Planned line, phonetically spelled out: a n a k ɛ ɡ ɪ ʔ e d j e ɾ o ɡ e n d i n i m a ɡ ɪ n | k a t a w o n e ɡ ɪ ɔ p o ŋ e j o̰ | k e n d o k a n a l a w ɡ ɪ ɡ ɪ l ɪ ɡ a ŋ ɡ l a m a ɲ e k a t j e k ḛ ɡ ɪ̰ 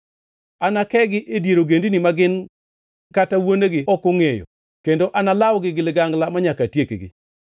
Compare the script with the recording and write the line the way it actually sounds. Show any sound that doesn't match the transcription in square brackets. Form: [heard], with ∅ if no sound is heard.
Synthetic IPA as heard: a n a k ɛ ɡ ɪ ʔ e d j e ɾ o ɡ e n d i n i m a ɡ ɪ n | k a t a w o n e ɡ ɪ ɔ [k] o ŋ e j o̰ | k e n d o [ʔ] a n a l a w ɡ ɪ ɡ ɪ l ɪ ɡ a ŋ ɡ l a m a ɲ [a] k a t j e k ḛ ɡ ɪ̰